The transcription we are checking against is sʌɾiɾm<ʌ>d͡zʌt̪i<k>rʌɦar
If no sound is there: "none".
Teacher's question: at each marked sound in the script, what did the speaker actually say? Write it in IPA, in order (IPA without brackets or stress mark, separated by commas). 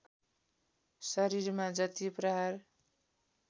a, p